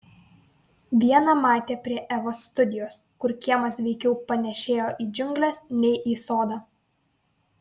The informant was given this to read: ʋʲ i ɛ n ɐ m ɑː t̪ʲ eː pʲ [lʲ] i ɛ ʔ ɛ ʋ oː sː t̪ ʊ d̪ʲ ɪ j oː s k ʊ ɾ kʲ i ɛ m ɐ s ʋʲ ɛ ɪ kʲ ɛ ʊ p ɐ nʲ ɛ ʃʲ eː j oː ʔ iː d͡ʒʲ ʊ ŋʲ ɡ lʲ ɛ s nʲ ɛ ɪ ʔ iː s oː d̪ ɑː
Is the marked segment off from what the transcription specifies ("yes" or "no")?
yes